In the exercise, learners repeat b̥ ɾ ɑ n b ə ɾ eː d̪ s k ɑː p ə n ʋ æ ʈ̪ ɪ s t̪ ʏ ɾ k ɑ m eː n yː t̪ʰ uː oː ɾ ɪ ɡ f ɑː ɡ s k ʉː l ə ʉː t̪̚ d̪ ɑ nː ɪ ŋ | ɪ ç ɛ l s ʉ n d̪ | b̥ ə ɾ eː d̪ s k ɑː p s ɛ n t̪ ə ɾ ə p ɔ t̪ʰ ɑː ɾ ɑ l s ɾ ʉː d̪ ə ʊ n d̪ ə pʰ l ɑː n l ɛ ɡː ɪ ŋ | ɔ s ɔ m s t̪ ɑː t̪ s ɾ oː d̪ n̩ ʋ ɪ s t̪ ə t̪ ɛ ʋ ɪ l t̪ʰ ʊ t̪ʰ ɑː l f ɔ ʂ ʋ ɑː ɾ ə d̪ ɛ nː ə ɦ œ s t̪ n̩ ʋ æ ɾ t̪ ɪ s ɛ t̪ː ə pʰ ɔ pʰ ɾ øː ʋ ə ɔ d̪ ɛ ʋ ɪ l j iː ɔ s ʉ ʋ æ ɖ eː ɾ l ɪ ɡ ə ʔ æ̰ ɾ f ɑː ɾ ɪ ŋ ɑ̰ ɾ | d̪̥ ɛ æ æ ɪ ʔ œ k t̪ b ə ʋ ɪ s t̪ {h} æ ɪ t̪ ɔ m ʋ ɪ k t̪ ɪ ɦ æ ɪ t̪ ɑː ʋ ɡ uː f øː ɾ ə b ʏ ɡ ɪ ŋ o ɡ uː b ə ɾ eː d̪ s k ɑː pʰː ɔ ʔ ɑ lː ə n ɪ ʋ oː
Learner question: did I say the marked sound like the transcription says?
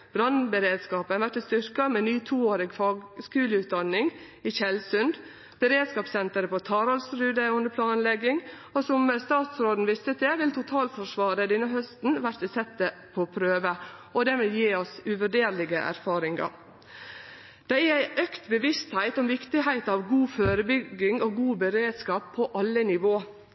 yes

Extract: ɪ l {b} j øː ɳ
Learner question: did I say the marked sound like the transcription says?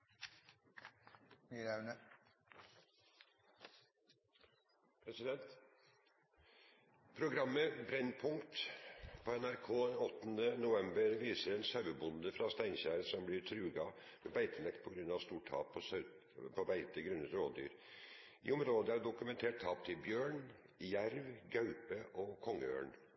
yes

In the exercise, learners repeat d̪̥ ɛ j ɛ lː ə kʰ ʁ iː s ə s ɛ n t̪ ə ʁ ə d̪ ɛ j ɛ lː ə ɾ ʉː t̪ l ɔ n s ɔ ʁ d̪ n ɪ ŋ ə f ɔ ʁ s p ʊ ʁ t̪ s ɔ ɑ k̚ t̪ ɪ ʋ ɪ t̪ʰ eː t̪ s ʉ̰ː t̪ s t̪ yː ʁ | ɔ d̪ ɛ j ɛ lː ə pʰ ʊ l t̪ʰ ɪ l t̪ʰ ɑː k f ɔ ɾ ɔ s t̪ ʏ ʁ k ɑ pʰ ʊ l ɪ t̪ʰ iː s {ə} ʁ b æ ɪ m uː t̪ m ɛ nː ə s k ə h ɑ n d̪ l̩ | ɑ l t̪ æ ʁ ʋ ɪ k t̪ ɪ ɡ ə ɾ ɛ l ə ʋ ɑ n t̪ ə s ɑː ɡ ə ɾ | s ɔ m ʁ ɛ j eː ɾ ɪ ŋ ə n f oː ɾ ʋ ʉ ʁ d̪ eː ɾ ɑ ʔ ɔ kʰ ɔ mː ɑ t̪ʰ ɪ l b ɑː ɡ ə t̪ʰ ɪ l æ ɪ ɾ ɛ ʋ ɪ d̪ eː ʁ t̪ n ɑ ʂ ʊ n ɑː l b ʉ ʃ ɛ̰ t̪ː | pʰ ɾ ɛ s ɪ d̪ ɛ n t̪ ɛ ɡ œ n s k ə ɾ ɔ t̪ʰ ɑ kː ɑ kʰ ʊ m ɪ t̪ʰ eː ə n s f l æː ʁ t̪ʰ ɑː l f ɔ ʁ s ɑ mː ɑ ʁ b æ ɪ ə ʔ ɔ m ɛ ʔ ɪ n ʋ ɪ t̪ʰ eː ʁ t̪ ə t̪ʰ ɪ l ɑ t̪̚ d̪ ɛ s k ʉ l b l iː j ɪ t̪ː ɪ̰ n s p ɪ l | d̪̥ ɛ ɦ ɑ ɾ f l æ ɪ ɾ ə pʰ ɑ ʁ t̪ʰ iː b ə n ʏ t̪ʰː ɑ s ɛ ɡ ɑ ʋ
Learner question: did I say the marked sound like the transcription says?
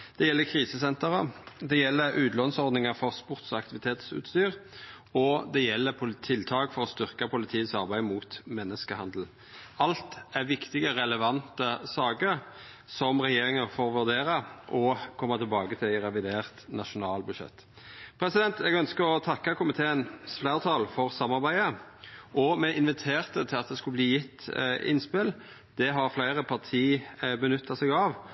no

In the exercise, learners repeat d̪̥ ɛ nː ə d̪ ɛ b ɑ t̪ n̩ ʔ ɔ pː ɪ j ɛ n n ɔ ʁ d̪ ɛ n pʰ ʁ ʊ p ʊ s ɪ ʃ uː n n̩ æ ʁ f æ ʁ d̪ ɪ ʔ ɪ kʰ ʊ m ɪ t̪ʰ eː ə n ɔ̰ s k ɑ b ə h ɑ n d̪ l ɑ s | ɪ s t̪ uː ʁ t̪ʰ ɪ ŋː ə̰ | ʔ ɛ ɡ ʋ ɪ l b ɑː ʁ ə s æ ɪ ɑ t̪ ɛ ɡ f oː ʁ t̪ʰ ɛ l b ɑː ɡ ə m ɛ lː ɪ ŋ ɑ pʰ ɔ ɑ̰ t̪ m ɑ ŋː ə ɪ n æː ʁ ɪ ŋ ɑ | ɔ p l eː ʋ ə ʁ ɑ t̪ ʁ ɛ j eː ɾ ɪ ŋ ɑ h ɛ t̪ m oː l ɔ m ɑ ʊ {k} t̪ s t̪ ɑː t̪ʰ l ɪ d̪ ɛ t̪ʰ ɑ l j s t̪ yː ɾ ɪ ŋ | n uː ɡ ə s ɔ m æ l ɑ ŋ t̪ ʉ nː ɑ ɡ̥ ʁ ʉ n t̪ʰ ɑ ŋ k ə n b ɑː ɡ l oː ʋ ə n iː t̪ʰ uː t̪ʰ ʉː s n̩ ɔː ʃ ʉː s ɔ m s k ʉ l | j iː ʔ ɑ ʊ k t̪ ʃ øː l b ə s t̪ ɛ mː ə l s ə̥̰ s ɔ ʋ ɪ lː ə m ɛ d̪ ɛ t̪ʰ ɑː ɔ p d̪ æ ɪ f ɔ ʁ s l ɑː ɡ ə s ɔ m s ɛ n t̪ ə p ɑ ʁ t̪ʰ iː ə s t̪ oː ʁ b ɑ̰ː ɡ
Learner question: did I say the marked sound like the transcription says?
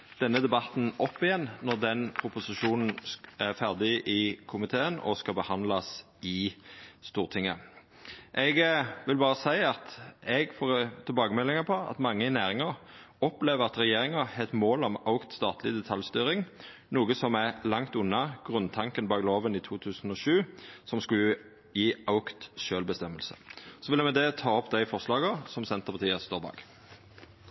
yes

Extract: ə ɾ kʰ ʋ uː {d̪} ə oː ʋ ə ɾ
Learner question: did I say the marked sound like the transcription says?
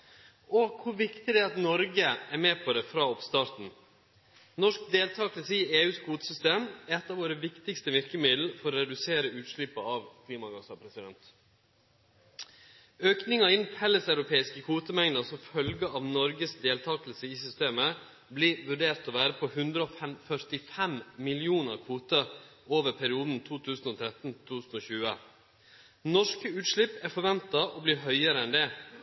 no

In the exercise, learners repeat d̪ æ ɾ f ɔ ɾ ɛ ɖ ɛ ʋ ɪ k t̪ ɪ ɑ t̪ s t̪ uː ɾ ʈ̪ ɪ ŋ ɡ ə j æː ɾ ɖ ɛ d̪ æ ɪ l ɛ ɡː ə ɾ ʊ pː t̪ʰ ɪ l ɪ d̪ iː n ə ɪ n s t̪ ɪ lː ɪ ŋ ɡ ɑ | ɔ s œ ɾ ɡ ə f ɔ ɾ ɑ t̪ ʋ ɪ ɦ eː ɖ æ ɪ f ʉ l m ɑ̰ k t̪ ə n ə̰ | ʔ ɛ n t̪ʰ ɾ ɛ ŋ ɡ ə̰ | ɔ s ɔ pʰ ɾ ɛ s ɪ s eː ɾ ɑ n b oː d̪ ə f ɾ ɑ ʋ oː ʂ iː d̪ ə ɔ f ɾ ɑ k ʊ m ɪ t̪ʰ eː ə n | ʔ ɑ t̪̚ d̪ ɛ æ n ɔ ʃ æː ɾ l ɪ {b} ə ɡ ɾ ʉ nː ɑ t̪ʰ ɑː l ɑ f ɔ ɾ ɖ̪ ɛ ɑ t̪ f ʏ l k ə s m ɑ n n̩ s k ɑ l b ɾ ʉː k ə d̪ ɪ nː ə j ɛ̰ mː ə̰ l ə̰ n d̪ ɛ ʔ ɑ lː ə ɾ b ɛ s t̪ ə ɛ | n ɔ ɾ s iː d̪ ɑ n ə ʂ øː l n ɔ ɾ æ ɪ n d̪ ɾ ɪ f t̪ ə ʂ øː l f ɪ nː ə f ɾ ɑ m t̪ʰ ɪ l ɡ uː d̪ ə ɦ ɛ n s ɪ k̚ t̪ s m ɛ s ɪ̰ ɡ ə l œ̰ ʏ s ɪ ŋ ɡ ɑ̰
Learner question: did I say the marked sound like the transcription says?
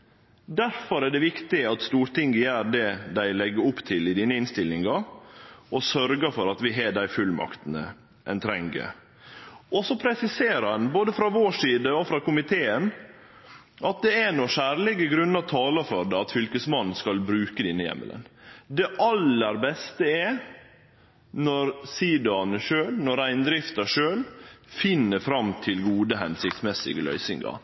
no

